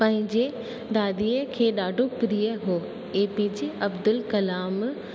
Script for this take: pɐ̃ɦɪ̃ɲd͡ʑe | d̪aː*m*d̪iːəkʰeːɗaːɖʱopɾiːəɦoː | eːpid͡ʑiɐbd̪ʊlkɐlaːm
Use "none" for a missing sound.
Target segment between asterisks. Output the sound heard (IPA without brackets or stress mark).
none